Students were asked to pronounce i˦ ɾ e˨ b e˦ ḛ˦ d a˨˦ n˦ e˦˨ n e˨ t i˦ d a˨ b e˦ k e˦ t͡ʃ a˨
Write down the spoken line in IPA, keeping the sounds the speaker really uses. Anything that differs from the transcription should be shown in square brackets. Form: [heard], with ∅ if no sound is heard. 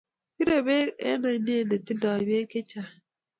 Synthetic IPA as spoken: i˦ ɾ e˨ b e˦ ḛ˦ [n] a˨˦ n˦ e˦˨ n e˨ t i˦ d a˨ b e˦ k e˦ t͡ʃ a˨